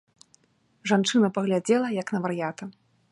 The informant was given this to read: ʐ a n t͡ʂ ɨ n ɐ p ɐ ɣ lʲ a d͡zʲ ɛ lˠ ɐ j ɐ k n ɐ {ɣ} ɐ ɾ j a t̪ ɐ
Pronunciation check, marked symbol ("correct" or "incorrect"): incorrect